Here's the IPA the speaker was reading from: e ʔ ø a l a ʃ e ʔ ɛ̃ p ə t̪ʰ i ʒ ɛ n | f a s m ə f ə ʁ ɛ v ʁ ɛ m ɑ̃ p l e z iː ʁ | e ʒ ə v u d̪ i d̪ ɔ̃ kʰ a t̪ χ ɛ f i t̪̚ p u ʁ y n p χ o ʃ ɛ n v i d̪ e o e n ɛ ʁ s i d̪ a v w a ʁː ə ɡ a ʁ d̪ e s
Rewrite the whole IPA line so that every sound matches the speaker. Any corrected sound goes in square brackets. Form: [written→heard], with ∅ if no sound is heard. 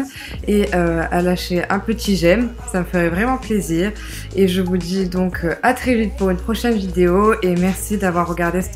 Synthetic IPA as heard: e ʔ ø a l a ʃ e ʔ ɛ̃ p ə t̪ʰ i ʒ ɛ [n→m] | [f→s] a [s→∅] m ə f ə ʁ ɛ v ʁ ɛ m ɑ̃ p l e z iː ʁ | e ʒ ə v u d̪ i d̪ ɔ̃ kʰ a t̪ χ ɛ [f→v] i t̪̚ p u ʁ y n p χ [o→ɔ] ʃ ɛ n v i d̪ e o e [n→m] ɛ ʁ s i d̪ a v w a ʁː ə ɡ a ʁ d̪ e s